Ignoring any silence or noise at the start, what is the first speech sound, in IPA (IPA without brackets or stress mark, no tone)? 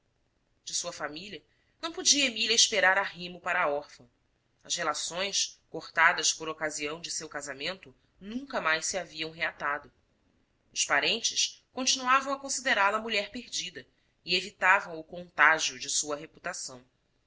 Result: d͡ʒ